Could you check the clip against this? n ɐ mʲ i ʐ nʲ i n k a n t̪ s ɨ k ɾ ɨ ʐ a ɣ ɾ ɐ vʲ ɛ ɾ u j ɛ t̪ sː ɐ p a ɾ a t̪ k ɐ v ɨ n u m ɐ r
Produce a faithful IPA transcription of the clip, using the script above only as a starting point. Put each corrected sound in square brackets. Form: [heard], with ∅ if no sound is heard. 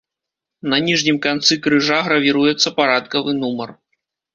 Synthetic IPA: n ɐ [nʲ] i ʐ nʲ i [m] k a n t̪ s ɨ k ɾ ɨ ʐ a ɣ ɾ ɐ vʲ [i] ɾ u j ɛ t̪ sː ɐ p a ɾ a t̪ k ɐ v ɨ n u m ɐ r